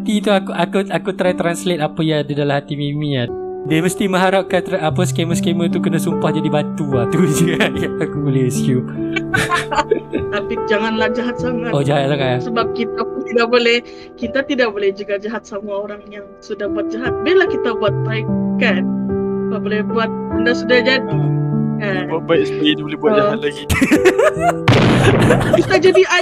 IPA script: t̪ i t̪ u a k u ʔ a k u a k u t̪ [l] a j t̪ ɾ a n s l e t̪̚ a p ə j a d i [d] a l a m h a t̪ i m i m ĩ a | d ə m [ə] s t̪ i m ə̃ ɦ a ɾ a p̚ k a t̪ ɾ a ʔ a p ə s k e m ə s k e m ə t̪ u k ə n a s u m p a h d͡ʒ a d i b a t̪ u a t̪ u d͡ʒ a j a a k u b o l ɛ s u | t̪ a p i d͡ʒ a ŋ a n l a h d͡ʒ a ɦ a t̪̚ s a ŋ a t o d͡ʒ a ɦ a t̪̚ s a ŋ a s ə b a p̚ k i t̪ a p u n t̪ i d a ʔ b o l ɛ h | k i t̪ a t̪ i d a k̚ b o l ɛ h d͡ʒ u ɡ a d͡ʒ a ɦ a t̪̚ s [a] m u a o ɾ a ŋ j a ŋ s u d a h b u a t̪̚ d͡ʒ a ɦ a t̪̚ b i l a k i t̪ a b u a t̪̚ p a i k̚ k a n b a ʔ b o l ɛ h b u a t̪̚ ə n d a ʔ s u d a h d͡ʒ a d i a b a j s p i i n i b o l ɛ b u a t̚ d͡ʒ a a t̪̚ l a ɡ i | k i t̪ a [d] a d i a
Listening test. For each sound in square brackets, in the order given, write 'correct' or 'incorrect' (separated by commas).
incorrect, correct, correct, correct, incorrect